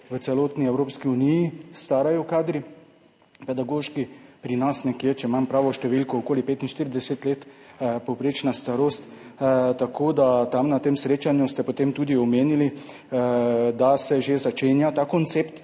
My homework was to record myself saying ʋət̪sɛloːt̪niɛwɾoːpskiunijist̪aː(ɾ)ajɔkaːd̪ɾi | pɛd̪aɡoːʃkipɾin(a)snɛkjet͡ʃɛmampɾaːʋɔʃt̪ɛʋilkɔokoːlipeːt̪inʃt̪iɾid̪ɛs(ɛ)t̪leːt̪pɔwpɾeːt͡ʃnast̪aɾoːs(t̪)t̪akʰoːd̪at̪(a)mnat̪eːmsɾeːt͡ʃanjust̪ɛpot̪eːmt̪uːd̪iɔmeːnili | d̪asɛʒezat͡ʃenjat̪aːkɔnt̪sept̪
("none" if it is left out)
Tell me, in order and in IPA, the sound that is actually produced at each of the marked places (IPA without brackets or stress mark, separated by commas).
ɾ, a, e, t̪, a